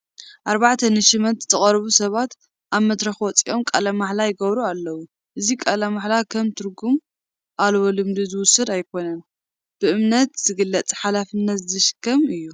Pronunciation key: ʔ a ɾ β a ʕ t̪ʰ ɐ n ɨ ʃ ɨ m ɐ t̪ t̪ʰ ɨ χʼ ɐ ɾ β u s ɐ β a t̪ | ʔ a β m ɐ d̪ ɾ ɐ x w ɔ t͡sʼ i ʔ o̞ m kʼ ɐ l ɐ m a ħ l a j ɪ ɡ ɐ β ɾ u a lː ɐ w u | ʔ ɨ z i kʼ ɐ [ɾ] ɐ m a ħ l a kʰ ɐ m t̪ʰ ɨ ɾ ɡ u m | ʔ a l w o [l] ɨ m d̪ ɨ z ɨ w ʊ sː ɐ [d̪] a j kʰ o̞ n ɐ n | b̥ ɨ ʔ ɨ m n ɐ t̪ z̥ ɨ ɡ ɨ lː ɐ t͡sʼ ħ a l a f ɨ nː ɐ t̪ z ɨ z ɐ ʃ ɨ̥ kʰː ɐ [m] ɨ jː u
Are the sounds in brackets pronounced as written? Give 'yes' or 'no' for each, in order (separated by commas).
no, yes, yes, yes